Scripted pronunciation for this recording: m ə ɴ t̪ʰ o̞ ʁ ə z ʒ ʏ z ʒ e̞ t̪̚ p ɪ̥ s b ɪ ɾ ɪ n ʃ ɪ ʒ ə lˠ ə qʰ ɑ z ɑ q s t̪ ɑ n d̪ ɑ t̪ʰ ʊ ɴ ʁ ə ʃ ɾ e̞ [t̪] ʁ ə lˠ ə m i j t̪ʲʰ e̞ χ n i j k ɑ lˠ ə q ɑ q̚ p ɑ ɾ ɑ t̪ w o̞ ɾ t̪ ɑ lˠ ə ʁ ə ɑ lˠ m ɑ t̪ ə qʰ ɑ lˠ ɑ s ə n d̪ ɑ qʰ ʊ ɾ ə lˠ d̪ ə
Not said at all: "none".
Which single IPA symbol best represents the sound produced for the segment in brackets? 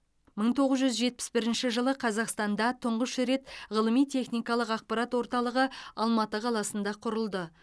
t̪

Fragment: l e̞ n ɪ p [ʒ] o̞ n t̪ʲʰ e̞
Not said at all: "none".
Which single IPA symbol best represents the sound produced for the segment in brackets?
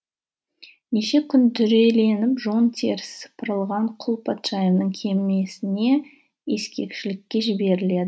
ʒ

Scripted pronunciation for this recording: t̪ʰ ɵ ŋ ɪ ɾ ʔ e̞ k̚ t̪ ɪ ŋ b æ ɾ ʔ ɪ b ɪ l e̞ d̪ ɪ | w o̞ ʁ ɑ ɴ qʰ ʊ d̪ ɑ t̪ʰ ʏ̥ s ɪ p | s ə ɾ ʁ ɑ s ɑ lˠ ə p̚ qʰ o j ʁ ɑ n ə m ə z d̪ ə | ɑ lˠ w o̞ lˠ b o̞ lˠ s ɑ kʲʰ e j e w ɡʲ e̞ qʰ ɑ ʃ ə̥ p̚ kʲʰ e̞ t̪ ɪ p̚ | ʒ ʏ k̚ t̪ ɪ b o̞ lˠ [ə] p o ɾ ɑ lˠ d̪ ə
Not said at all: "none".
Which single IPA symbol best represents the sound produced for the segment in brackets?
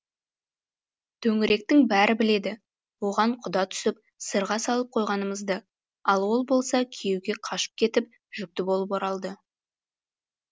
ə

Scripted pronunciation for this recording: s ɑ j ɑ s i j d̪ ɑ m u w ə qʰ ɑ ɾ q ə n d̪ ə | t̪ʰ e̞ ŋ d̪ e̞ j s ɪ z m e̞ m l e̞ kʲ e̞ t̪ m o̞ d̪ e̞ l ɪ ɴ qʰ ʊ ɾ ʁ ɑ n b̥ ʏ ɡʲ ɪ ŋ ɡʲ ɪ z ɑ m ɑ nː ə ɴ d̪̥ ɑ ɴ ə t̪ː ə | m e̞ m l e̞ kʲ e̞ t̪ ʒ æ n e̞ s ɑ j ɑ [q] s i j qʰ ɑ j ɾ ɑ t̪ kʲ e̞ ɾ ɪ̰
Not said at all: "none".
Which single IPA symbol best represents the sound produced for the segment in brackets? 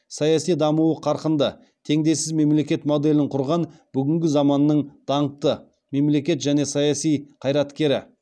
none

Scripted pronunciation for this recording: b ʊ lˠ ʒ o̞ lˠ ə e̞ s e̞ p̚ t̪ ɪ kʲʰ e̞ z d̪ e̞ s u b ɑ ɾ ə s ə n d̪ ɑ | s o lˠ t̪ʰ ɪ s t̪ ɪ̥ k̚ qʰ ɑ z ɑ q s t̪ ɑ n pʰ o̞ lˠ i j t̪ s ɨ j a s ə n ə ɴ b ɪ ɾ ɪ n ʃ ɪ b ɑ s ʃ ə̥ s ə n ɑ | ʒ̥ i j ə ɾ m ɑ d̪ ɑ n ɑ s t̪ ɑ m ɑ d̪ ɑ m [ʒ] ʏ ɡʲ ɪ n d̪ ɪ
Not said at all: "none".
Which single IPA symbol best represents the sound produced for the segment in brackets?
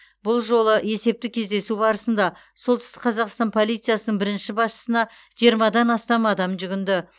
ʒ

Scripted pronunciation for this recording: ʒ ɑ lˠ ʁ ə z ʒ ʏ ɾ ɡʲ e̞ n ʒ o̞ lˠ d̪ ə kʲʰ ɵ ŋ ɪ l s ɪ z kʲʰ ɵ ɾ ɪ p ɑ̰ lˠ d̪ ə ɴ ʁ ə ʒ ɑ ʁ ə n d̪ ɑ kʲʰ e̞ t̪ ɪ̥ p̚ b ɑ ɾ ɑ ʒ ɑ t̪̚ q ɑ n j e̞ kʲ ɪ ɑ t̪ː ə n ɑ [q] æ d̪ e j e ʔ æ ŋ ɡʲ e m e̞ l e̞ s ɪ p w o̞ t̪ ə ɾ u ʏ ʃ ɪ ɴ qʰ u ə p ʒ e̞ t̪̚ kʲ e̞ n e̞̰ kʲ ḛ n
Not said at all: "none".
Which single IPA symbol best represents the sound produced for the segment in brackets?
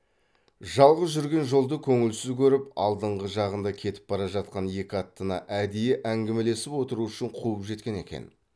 ʔ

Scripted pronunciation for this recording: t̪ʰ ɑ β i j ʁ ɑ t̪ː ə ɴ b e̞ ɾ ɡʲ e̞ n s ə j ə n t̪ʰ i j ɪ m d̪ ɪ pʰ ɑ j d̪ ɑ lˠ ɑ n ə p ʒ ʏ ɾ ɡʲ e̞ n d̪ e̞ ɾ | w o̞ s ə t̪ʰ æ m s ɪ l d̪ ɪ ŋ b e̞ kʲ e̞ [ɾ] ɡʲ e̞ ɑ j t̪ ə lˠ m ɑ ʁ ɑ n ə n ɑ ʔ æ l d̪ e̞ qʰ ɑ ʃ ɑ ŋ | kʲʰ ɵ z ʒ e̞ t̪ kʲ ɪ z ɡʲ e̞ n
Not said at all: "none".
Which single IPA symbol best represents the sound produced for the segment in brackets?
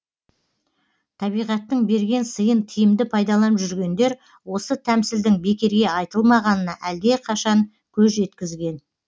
ɾ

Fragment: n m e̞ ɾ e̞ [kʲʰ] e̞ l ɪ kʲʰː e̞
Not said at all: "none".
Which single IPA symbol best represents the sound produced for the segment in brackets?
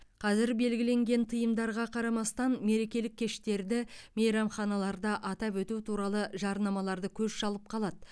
kʲ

